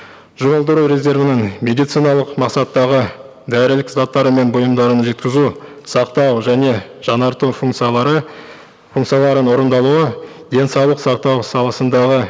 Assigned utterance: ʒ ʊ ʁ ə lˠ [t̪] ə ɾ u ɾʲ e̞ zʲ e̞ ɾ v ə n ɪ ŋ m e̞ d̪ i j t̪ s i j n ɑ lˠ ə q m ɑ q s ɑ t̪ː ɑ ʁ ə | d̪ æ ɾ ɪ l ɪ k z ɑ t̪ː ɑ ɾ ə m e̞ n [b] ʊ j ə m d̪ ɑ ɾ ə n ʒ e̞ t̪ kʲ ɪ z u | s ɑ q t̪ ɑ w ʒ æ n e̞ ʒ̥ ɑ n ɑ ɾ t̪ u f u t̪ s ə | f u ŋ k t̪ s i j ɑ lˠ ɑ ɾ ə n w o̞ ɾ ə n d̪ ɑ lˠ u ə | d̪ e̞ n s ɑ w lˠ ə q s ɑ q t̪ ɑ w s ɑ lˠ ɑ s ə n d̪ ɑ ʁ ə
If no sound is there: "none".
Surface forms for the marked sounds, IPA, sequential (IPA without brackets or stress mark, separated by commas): d̪, b